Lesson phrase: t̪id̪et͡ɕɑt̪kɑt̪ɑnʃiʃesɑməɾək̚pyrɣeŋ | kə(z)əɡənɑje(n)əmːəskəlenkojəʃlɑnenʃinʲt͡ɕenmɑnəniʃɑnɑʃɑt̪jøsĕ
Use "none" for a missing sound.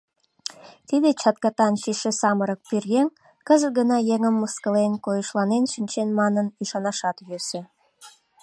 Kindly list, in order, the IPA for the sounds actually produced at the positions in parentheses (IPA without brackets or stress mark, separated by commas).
z, ŋ